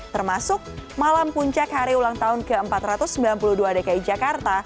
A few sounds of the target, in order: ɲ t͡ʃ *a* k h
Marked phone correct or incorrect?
correct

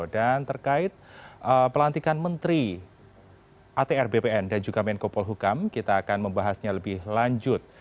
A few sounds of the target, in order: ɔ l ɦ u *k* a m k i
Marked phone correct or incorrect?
correct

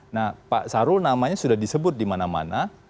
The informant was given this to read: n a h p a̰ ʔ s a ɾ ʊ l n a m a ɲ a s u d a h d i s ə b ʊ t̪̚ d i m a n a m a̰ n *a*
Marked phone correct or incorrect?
correct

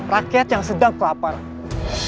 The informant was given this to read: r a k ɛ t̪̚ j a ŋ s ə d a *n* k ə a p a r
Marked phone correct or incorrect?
incorrect: ŋ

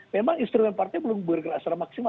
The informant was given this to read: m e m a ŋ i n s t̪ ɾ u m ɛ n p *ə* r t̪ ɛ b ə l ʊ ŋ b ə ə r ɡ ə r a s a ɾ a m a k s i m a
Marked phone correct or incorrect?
incorrect: a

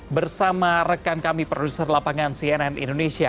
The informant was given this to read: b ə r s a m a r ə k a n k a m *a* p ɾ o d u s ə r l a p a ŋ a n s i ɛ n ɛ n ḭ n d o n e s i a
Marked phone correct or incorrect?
incorrect: i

